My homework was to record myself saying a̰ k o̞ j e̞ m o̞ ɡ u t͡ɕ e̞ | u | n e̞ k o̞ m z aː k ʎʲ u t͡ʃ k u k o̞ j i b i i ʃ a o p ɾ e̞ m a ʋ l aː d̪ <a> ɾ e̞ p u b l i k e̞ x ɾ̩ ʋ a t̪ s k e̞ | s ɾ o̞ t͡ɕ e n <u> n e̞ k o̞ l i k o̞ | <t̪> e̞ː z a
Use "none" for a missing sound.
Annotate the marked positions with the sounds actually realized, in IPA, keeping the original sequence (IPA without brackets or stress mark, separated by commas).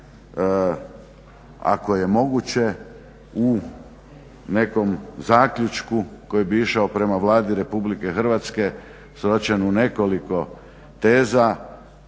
i, u, t̪